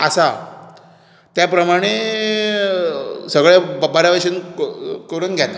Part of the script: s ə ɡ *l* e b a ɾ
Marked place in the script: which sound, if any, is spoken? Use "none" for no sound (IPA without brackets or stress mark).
ɭ